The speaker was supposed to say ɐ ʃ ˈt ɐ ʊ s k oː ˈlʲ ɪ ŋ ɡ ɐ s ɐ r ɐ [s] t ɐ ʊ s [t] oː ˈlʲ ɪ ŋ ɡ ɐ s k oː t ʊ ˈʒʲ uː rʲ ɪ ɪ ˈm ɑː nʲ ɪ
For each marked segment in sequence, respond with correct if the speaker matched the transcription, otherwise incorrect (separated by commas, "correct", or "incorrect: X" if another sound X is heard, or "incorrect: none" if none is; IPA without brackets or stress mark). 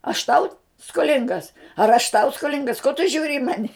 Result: incorrect: ʃ, incorrect: k